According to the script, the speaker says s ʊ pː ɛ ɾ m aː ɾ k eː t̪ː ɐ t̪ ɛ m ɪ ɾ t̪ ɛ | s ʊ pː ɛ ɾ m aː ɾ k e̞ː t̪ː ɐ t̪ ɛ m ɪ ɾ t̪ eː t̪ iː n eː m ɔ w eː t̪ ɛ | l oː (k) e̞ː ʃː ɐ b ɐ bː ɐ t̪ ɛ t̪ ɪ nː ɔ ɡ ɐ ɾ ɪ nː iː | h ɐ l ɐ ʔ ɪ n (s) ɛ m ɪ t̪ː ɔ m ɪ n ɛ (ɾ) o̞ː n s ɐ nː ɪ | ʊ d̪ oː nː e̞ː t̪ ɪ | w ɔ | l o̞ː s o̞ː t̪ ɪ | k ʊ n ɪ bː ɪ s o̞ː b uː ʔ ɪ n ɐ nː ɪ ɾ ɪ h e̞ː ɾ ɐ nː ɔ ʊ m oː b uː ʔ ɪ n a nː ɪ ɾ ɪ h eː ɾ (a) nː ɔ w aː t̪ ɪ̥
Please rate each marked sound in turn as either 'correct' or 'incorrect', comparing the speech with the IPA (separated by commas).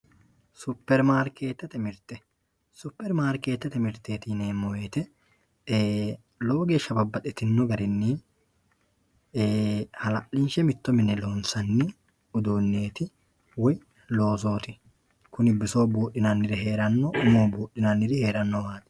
incorrect, incorrect, incorrect, incorrect